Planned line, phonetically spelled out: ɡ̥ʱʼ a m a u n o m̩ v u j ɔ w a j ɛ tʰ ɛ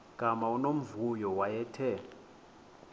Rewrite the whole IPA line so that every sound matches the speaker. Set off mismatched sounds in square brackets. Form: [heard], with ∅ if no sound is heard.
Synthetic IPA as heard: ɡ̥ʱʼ a m a u n o m̩ v u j ɔ w a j ɛ tʰ ɛ

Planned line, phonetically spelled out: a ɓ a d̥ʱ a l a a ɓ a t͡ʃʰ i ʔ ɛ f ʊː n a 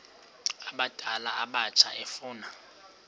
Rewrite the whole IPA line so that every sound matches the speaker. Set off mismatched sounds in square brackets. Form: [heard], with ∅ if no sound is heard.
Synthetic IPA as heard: a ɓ a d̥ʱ a l a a ɓ a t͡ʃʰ [a] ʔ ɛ f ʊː n a

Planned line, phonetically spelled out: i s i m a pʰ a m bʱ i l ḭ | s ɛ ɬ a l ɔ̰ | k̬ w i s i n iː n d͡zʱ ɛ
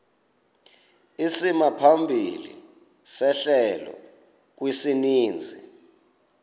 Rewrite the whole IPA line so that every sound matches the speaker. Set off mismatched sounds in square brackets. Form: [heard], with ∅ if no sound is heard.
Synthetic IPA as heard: i s i m a pʰ a m bʱ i l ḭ | s ɛ ɬ [ɛ] l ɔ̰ | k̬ w i s i n iː n d͡zʱ [i]

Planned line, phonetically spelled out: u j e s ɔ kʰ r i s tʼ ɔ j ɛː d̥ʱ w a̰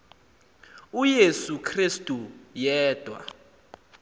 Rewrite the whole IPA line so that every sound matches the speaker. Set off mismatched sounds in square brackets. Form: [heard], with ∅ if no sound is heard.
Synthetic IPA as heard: u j e s [u] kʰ r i s tʼ [u] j ɛː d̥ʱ w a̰

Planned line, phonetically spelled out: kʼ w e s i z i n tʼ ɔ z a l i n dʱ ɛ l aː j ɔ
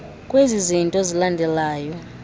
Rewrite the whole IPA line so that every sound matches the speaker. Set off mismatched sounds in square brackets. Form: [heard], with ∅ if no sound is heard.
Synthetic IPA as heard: kʼ w e [z] i z i n tʼ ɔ z [i] l [a] n dʱ ɛ l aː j ɔ

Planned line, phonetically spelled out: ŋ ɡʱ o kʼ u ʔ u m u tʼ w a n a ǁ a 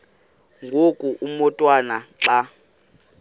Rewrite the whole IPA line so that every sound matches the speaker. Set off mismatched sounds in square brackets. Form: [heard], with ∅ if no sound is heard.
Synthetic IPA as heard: ŋ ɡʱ o kʼ u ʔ u m [ɔ] tʼ w a n a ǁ a

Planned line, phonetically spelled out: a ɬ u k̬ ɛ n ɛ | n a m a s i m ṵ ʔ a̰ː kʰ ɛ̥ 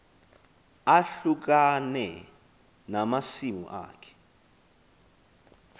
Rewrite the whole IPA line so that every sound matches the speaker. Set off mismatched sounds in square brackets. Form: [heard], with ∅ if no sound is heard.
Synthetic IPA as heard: a ɬ u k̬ [a] n ɛ | n a m a s i m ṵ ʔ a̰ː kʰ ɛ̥

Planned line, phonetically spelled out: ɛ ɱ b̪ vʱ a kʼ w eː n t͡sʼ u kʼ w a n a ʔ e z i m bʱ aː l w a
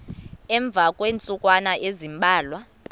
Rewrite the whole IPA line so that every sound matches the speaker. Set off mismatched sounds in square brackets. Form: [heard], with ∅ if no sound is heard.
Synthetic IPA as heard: ɛ ɱ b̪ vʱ a kʼ w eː n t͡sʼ u kʼ w a n a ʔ e z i m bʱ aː l w a

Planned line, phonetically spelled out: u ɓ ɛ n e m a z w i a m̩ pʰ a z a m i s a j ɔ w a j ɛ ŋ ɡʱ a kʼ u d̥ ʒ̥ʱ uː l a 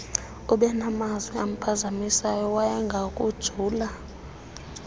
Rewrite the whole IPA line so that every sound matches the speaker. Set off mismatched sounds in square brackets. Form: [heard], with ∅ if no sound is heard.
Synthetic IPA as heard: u ɓ ɛ n [a] m a z w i a m̩ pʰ a z a m i s a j ɔ w a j ɛ ŋ ɡʱ a kʼ u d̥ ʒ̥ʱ uː l a

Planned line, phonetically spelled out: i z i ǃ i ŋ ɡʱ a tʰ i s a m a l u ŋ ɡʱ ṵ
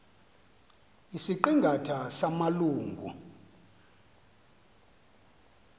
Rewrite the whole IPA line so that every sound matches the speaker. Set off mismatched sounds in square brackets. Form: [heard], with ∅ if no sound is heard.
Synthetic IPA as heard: i [s] i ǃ i ŋ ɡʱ a tʰ [a] s a m a l [uː] ŋ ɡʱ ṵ

